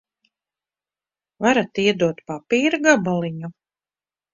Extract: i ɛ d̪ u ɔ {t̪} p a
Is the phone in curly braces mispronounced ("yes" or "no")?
no